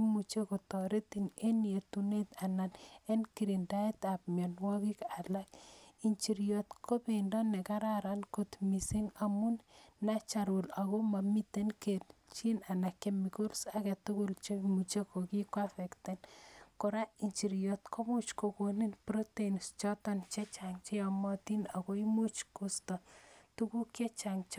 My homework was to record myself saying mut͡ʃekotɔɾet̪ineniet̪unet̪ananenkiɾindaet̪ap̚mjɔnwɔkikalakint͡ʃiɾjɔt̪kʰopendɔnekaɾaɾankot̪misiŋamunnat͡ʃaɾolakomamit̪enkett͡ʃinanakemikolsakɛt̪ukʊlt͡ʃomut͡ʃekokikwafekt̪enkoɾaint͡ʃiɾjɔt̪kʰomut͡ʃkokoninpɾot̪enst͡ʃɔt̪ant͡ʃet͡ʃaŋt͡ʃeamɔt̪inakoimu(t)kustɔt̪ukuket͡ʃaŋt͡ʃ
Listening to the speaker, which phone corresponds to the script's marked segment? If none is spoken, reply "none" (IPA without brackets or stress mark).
t͡ʃ